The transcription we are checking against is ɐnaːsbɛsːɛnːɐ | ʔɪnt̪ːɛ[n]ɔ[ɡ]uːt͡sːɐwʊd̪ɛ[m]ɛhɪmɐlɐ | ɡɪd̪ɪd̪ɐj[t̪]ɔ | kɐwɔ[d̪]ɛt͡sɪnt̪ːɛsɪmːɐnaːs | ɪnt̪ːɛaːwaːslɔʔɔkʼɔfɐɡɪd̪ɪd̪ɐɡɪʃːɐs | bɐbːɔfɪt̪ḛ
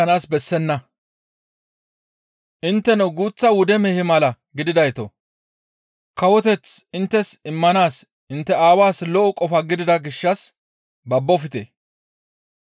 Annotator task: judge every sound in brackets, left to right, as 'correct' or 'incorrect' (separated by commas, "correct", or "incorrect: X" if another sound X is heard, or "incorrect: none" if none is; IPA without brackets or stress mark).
correct, correct, correct, correct, incorrect: t̪